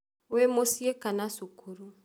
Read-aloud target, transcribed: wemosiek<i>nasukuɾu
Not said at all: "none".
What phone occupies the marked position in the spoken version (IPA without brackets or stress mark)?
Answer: a